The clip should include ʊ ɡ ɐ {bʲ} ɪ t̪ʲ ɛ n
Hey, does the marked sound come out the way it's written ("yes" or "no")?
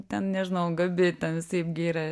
yes